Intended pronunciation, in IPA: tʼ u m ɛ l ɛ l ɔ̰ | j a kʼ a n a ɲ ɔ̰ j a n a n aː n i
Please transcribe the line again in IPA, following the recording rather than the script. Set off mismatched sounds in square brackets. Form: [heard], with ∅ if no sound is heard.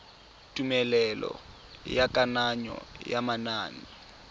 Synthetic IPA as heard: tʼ u m ɛ l ɛ l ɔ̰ | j a kʼ a n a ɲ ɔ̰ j a [m] a n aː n i